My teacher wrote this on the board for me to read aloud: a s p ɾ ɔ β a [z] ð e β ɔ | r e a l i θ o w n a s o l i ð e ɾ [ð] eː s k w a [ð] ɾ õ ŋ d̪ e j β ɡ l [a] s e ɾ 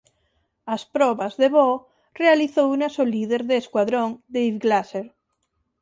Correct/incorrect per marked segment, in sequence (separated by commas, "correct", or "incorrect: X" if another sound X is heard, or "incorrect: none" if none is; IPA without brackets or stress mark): correct, correct, correct, correct